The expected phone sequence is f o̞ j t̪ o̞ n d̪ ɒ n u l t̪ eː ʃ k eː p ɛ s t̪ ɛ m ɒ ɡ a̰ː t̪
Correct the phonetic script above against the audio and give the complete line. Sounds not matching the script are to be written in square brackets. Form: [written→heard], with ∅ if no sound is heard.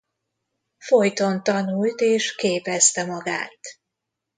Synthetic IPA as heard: f o̞ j t̪ o̞ n [d̪→t̪] ɒ n u l t̪ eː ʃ k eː p ɛ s t̪ ɛ m ɒ ɡ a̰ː t̪